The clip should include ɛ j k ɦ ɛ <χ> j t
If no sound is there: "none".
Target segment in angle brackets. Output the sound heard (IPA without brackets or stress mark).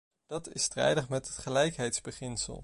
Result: none